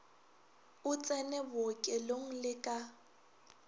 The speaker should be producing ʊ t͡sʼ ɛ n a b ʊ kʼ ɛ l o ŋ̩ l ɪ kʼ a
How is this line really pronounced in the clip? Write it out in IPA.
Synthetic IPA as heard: ʊ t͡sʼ ɛ n ɛ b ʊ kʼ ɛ l o ŋ̩ l ɪ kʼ a